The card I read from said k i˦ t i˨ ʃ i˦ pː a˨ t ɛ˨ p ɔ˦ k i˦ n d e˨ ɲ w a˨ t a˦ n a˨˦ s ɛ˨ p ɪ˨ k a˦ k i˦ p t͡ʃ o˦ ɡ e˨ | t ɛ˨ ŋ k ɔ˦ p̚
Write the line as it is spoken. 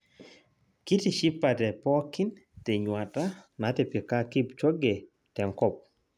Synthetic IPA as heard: k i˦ t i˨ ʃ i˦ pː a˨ t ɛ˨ p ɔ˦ k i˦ n t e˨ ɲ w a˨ t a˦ n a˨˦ t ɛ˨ p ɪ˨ k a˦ k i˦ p t͡ʃ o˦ ɡ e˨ | t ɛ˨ ŋ k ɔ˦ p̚